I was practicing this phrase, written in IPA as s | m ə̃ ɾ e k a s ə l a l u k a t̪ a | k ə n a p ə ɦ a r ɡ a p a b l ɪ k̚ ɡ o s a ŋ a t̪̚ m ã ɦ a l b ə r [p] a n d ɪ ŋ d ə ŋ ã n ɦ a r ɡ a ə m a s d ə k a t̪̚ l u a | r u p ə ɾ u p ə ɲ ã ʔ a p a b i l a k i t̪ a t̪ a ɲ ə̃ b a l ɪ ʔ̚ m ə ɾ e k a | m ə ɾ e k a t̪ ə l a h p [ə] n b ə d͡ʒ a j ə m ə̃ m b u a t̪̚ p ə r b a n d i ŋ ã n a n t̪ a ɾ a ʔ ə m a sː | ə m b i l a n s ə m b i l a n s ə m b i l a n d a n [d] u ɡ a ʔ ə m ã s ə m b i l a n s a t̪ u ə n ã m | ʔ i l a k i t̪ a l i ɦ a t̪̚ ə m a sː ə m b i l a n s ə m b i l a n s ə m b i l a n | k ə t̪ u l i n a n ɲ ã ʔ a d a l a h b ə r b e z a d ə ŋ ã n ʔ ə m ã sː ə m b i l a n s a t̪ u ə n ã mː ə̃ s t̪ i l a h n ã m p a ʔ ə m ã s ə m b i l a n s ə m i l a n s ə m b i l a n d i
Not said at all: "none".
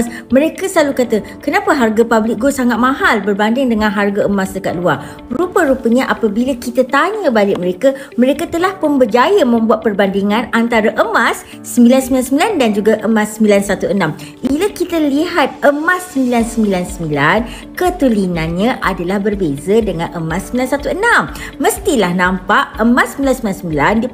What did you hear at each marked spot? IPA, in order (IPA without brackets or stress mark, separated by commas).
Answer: b, ə, d͡ʒ